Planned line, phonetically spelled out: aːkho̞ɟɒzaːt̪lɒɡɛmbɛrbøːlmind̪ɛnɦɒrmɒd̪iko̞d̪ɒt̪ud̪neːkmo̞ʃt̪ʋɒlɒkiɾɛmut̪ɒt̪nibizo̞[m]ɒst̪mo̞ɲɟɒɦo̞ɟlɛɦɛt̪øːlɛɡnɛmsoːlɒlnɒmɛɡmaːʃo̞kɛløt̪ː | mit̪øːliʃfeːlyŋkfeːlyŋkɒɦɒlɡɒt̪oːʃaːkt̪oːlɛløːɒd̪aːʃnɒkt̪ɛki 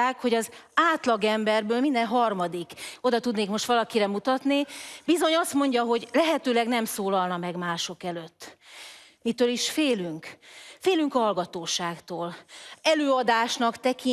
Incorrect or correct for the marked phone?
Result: incorrect: ɲ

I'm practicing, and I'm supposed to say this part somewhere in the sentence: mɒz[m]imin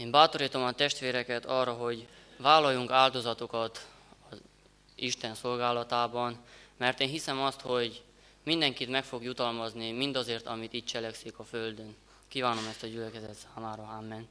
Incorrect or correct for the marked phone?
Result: incorrect: n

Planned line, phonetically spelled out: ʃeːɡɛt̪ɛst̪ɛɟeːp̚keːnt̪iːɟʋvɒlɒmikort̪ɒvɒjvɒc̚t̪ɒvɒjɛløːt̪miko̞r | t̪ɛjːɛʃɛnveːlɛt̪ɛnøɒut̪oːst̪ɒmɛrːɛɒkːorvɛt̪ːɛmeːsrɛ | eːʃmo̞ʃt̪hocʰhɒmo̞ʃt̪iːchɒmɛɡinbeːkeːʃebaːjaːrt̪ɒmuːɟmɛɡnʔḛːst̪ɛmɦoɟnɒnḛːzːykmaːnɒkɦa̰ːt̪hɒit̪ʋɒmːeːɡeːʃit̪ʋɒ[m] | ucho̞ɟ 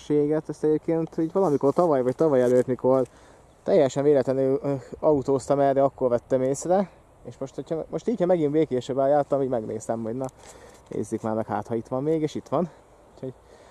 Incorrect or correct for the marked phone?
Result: incorrect: n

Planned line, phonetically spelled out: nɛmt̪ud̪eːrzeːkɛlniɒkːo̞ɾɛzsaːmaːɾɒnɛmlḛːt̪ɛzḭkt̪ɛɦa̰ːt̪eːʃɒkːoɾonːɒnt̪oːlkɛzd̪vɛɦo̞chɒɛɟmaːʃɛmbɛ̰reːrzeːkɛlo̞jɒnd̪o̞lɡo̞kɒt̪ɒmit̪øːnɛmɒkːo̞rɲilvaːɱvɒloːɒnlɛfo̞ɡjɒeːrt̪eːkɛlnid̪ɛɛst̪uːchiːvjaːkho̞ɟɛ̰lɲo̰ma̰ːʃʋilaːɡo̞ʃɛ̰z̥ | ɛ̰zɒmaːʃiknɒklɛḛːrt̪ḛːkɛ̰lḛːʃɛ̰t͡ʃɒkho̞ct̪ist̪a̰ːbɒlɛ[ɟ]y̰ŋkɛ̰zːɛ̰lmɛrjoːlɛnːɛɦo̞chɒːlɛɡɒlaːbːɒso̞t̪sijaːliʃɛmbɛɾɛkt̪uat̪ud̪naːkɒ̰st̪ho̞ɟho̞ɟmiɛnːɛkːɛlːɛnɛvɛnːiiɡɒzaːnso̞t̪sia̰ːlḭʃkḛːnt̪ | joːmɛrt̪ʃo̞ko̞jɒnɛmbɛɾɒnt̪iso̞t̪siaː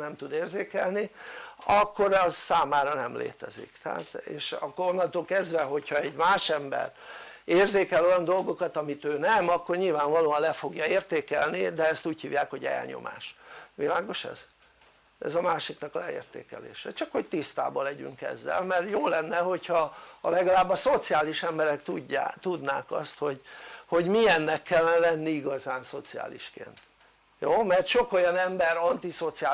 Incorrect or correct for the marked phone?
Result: correct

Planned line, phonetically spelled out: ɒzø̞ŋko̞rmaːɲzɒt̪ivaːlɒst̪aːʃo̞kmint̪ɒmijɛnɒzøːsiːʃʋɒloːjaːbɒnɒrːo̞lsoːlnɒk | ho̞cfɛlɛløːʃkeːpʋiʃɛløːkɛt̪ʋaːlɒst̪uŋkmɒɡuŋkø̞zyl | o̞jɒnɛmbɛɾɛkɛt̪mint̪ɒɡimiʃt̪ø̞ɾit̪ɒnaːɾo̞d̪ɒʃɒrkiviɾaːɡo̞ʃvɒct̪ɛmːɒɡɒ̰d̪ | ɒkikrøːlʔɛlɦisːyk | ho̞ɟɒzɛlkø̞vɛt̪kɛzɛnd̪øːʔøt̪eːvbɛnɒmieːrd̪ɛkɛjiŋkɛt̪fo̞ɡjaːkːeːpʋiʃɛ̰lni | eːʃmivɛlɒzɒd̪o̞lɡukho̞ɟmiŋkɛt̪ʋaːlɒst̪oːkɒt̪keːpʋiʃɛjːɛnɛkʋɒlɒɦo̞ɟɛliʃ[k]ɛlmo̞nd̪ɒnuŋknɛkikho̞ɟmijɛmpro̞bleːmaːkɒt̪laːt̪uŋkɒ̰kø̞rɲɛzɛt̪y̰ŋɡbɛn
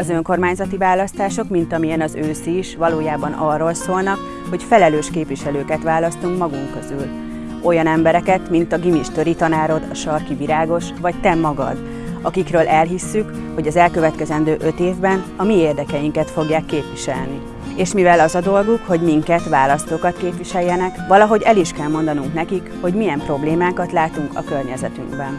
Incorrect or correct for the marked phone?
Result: correct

